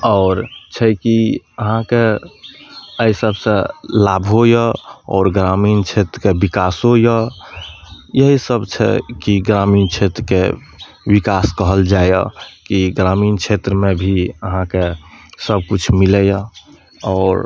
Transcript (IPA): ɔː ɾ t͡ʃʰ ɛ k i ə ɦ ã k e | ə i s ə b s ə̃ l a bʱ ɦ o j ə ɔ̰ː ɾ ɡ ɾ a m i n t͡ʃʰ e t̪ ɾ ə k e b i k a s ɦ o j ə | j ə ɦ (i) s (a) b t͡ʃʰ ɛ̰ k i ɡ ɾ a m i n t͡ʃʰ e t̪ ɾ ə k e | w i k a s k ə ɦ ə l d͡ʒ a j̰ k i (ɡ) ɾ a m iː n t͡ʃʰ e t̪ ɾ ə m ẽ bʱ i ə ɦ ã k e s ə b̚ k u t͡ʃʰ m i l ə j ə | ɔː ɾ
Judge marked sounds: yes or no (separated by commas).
yes, no, yes